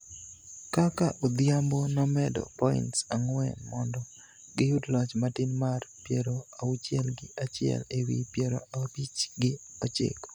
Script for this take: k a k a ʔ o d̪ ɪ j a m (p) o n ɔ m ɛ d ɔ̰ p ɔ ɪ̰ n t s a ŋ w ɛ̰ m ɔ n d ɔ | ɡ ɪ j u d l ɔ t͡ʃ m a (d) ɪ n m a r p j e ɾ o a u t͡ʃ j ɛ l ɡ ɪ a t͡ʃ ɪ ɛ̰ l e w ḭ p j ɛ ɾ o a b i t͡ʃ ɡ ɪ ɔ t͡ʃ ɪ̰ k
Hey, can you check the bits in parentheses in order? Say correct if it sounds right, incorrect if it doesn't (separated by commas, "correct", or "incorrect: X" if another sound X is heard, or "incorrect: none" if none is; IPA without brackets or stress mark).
incorrect: b, incorrect: t